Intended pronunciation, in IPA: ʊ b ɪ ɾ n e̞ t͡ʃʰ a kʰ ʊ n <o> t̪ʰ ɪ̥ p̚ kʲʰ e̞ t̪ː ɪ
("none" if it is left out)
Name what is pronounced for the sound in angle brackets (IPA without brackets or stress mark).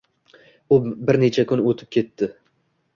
o